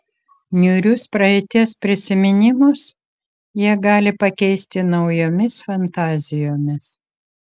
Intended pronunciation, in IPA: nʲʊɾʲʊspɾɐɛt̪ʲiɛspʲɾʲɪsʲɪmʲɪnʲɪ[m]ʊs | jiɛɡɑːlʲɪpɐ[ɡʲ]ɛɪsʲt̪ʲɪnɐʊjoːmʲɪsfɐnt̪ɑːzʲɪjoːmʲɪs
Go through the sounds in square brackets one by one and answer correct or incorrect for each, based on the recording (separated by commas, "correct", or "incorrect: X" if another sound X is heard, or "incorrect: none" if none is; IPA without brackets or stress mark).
correct, incorrect: kʲ